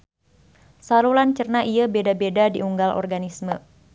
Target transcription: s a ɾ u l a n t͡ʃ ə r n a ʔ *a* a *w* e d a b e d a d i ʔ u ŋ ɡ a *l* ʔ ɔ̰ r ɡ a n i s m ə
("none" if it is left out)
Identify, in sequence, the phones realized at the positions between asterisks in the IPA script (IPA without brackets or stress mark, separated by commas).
i, b, l